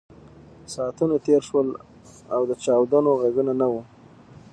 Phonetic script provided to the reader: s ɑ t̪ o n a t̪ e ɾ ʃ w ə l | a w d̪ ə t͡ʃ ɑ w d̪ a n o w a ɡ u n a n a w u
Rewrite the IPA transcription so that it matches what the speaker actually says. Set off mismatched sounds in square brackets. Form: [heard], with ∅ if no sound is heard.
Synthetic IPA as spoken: s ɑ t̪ [u] n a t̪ e ɾ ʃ w ə l | a w d̪ ə t͡ʃ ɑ w d̪ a n o [ɣ] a ɡ u n a n a w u